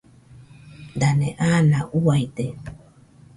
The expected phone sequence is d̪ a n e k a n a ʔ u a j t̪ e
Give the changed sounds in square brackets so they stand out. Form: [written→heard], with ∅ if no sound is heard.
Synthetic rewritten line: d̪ a n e [k→ʔ] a n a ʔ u a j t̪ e